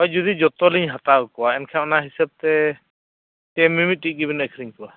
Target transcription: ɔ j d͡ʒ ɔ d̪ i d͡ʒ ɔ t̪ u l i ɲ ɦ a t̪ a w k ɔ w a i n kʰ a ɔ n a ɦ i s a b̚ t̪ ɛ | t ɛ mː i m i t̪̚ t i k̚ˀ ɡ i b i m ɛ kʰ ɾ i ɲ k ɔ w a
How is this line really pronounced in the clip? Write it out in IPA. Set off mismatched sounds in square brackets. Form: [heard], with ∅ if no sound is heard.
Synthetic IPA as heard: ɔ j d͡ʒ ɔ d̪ i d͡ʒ ɔ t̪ [ɔ] l i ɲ ɦ a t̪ a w k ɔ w a [ɛ] n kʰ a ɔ n a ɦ i s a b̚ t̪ ɛ | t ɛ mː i m i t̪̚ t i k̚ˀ ɡ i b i [n] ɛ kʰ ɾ i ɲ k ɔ w a